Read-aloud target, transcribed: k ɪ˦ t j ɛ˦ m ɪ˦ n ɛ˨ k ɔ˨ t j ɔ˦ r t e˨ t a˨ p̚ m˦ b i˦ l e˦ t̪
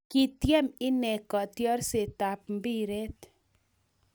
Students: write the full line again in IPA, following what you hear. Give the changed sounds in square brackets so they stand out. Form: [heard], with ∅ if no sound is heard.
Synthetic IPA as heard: k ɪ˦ t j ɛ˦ m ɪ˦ n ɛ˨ k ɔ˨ t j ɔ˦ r [s] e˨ t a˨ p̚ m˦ b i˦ [ɾ] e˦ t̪